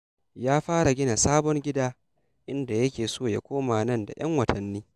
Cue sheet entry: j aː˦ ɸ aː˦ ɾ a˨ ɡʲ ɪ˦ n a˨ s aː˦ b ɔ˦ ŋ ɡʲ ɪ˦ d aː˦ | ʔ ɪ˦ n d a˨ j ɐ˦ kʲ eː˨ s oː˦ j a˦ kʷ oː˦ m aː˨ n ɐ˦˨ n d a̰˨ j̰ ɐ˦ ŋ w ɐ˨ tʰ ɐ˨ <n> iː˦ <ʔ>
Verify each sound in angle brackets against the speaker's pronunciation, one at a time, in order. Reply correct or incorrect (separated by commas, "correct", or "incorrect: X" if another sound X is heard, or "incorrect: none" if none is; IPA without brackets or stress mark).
incorrect: nː, incorrect: none